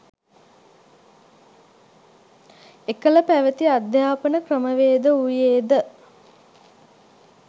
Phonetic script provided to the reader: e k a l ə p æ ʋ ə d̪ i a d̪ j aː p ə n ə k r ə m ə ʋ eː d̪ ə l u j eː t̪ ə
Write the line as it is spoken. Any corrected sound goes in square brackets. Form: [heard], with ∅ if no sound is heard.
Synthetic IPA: e k [ə] l ə p æ ʋ ə [t̪] i a d̪ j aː p ə n ə k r ə m ə ʋ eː d̪ ə [∅] u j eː [d̪] ə